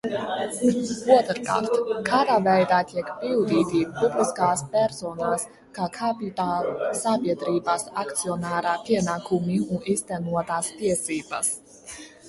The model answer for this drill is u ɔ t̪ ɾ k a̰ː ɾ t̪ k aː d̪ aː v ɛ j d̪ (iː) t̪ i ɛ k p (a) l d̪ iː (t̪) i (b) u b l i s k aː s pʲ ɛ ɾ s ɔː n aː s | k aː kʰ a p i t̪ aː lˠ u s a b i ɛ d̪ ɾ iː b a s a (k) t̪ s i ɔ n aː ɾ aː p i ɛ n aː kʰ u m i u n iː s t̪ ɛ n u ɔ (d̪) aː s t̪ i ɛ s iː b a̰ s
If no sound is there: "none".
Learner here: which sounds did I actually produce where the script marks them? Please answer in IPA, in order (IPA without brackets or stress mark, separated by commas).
aː, i, t̪, p, k, t̪